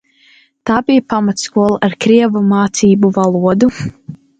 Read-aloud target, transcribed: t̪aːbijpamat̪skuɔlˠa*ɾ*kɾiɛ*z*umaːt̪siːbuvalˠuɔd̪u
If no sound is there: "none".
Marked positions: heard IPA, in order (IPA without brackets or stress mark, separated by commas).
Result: ɾ, v